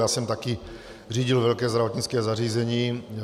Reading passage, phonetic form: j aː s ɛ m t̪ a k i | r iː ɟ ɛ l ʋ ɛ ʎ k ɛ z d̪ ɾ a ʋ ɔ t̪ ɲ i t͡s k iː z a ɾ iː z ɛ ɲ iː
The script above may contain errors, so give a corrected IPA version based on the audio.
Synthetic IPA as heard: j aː s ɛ m t̪ a k i | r iː ɟ i l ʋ ɛ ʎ k ɛː z d̪ ɾ a ʋ ɔ t̪ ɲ i t͡s k ɛː z a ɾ iː z ɛ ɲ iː